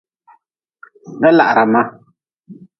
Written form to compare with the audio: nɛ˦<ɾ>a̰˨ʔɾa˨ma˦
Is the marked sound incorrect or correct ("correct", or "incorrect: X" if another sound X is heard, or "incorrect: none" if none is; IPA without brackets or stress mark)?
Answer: incorrect: l